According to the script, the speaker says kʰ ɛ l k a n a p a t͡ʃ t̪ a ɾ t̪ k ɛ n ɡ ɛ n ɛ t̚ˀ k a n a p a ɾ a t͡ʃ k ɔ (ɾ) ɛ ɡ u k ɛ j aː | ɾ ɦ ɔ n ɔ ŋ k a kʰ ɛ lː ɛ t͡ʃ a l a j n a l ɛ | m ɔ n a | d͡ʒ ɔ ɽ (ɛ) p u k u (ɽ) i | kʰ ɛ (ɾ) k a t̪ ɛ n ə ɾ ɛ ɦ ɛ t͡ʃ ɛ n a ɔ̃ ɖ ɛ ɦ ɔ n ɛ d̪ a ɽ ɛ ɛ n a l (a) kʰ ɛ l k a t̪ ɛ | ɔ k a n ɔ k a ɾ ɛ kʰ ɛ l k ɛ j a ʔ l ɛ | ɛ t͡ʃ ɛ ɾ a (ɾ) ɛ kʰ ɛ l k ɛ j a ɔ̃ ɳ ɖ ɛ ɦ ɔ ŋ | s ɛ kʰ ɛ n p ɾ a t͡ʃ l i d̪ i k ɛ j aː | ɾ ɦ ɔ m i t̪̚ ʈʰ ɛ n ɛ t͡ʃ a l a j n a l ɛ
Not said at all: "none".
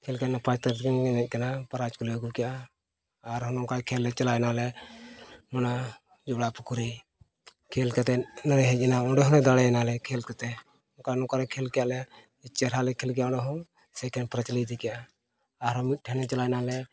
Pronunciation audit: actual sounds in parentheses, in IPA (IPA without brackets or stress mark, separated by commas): l, a, ɾ, l, ɛ, l